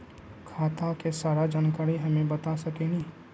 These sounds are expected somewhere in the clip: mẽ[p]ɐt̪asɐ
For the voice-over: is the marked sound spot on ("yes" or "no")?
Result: no